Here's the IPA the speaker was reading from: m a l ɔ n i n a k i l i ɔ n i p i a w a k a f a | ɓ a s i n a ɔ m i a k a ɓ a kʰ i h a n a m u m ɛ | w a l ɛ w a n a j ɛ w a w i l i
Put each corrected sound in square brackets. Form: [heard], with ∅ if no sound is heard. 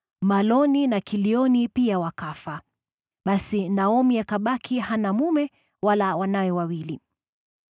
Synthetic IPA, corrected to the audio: m a l ɔ n i n a k i l i ɔ n i p i a w a k a f a | ɓ a s i n a ɔ m i a k a ɓ a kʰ i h a n a m u m ɛ | w a l [a] w a n a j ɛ w a w i l i